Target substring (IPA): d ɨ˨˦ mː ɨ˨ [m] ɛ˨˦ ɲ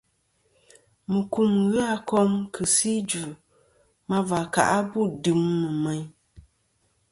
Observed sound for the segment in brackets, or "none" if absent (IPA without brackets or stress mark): m